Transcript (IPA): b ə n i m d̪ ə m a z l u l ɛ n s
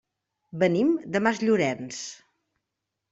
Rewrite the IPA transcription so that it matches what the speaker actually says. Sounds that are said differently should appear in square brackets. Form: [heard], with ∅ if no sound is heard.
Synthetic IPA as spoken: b ə n i m d̪ ə m a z [ʎ] u [ɾ] ɛ n s